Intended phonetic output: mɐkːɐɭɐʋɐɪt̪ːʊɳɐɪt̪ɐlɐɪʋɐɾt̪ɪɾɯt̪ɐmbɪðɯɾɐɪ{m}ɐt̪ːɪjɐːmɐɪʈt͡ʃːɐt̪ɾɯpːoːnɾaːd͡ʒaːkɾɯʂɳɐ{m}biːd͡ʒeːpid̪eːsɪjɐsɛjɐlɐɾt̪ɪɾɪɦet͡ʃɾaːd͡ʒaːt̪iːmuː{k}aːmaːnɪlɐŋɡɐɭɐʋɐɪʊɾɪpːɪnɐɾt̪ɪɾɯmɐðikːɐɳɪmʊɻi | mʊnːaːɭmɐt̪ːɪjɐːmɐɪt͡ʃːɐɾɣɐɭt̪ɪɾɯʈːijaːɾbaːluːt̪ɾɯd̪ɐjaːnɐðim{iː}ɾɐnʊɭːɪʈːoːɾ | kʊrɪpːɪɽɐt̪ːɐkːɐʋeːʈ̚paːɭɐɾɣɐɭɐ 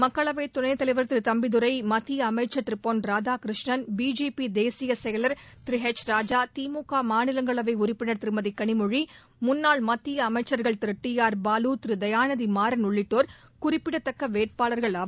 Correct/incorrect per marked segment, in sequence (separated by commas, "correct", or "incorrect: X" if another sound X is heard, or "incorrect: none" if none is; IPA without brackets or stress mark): correct, incorrect: n, correct, incorrect: aː